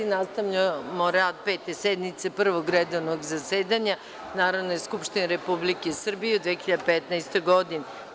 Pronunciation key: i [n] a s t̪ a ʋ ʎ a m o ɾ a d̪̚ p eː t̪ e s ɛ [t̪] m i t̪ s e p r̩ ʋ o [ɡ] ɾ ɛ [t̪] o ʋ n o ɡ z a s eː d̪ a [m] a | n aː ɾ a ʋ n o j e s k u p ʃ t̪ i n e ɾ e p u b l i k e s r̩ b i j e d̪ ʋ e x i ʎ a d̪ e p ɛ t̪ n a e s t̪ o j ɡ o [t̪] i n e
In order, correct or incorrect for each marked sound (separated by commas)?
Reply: correct, incorrect, correct, incorrect, incorrect, incorrect